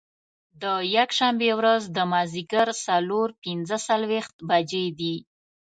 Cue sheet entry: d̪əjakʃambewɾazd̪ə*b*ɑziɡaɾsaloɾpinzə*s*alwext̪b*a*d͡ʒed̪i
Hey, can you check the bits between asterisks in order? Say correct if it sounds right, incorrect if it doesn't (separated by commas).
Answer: incorrect, correct, correct